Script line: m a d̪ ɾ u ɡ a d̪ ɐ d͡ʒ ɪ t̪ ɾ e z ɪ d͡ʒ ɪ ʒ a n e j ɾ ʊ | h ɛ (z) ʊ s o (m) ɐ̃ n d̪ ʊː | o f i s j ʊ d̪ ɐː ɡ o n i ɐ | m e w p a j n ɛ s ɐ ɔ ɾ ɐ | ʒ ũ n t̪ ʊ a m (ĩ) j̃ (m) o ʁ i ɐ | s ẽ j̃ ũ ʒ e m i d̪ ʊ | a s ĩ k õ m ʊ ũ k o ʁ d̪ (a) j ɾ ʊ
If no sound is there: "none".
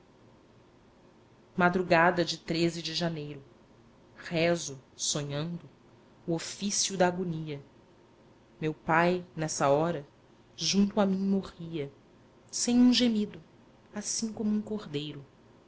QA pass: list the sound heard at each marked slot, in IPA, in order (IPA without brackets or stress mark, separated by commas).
z, ɲ, ĩ, m, e